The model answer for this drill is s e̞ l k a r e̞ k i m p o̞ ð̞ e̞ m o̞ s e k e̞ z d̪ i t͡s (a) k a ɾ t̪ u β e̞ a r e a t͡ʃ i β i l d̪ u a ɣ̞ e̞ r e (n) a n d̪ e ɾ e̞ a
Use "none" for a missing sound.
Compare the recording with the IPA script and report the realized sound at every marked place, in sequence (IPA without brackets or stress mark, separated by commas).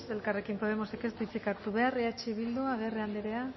i, none